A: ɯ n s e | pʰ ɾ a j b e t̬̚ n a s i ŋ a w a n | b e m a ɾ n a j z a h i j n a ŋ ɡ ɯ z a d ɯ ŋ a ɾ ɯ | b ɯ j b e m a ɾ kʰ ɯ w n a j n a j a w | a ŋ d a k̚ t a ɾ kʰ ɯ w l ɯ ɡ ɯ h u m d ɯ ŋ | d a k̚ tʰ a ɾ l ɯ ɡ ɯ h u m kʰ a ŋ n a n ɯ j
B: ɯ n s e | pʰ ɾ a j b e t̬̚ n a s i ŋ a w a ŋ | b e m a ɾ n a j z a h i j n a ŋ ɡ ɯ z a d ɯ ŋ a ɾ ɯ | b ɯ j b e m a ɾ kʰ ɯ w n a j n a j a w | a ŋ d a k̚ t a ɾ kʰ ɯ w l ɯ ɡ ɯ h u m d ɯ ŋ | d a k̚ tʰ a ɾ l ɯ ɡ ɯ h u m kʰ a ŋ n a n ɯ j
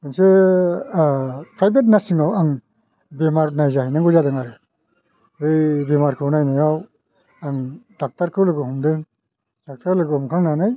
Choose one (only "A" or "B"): B